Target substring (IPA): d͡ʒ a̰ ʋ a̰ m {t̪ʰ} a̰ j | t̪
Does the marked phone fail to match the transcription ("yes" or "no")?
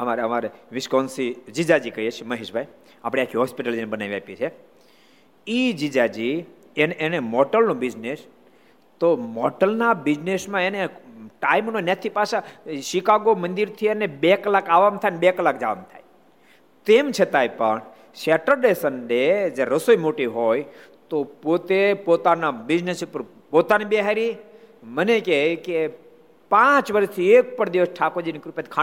no